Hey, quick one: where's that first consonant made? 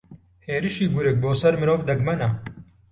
throat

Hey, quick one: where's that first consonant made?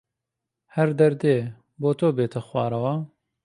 throat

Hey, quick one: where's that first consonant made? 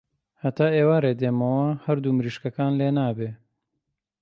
throat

